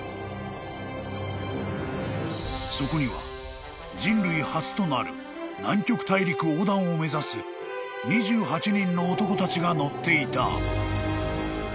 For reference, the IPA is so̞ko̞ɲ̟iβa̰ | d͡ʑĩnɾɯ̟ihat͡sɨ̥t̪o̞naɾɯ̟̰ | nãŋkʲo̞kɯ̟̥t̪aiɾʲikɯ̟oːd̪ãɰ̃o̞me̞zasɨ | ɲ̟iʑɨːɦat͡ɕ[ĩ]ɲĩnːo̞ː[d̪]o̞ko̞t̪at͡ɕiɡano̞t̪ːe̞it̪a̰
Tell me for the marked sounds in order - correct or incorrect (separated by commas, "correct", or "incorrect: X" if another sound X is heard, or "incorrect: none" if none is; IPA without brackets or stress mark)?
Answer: incorrect: i, incorrect: t̪